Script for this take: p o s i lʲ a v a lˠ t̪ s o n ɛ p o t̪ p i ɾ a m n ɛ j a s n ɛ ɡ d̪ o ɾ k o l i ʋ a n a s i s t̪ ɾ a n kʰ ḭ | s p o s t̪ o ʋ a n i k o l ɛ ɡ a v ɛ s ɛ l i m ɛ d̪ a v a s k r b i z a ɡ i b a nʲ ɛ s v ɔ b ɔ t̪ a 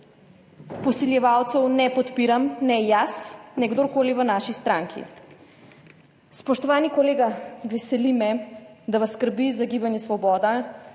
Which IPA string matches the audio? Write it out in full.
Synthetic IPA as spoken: p o s i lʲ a v a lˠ t̪ s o n ɛ p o t̪ p i ɾ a m n ɛ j a s n ɛ ɡ d̪ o ɾ k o l i v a n a ʃ i s t̪ ɾ a ŋ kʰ ḭ | s p o ʃ t̪ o v a n i k o l ɛ ɡ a v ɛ s ɛ l i m ɛ d̪ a v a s k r b i z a ɡ i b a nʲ ɛ s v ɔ b ɔ d̪ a